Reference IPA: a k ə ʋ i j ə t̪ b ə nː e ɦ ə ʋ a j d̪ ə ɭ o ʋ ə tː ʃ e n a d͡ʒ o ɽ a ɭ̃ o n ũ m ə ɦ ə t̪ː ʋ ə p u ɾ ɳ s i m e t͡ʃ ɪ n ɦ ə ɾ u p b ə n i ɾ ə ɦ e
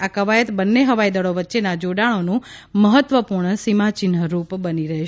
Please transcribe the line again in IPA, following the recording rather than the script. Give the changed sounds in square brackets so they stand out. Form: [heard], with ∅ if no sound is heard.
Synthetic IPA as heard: a k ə ʋ [a] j ə t̪ b ə nː e ɦ ə ʋ a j d̪ ə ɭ o ʋ ə tː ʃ e n a d͡ʒ o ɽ a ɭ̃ o n ũ m ə ɦ ə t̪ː ʋ ə p u ɾ ɳ s i m [a] t͡ʃ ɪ n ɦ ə ɾ u p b ə n i ɾ ə ɦ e